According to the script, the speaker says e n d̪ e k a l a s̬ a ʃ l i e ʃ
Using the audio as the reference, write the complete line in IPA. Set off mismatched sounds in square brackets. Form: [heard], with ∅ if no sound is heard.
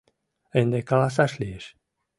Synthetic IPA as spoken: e n d̪ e k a l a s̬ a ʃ l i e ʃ